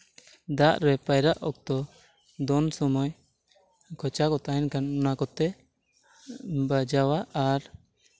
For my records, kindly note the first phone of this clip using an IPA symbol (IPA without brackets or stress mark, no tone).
d̪